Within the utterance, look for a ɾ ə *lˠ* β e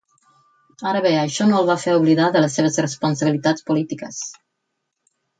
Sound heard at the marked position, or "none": none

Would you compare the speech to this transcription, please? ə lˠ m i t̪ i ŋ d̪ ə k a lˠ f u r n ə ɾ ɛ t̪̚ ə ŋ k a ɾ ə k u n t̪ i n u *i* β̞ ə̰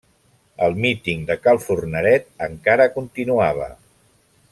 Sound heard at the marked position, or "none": a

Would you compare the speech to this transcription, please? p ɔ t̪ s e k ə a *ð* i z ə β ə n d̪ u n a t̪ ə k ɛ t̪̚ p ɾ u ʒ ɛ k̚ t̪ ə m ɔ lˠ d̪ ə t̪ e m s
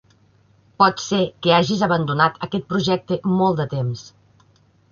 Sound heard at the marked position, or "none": ʒ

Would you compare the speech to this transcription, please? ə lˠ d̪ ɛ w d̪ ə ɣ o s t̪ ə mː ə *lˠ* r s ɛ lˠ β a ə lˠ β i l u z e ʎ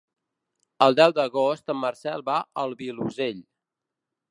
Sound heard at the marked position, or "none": none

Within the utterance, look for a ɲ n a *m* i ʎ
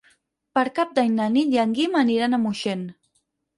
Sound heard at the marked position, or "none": n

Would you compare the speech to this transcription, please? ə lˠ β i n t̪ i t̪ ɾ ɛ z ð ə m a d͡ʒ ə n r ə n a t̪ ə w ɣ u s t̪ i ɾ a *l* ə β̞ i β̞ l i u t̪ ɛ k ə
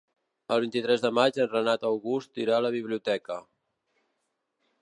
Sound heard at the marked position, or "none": l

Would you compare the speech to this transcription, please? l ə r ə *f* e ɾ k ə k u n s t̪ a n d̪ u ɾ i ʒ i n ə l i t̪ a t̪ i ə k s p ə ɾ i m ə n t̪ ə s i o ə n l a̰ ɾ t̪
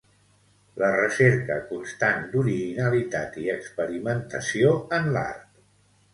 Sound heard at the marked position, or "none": s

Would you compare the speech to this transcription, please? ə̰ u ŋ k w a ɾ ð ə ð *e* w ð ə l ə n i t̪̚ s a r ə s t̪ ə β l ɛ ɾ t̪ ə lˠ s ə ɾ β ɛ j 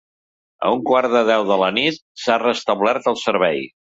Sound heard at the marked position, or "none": ɛ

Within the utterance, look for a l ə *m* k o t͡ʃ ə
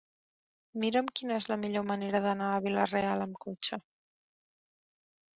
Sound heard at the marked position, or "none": m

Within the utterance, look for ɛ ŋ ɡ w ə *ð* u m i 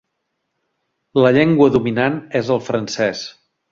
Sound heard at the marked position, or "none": ð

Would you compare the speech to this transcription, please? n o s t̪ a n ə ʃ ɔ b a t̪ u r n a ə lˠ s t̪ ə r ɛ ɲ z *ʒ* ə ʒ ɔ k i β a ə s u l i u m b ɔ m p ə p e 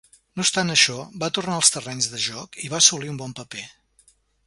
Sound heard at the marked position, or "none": ð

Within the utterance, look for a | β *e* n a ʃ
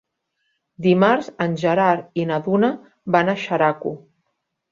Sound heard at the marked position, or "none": a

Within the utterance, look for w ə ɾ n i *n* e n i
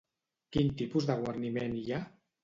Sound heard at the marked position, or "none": m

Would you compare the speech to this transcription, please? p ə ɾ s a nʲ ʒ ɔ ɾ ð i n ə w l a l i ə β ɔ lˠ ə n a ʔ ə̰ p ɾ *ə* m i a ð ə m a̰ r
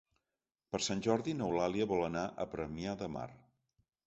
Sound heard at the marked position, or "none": ə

